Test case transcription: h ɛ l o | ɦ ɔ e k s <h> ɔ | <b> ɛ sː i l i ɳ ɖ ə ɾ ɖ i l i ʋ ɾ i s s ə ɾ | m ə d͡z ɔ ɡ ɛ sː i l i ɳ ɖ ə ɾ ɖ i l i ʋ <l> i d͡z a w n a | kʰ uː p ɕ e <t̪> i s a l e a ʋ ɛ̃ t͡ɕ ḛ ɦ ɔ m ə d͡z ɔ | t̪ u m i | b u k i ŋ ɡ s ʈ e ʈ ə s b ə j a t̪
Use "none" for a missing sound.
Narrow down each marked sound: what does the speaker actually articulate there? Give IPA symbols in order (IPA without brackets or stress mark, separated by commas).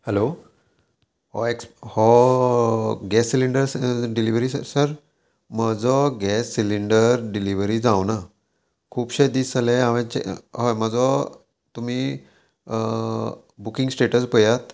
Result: h, ɡ, ɾ, d̪